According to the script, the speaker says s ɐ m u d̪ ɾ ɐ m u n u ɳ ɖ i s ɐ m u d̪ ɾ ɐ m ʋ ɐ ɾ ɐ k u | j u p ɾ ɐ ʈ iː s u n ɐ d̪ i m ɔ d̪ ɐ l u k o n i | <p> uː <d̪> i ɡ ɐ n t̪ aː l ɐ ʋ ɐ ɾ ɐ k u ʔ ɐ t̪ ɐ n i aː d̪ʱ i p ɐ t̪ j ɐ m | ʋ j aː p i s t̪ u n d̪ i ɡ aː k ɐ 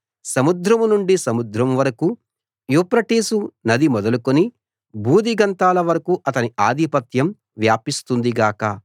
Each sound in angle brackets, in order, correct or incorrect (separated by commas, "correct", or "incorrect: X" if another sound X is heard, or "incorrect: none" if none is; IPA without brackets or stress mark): incorrect: b, correct